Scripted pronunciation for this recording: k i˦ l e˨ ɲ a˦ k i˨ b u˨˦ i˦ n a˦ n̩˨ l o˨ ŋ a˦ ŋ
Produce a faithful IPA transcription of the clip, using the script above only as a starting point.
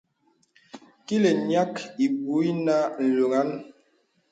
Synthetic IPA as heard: k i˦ l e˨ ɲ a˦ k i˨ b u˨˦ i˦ n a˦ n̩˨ l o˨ ŋ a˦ n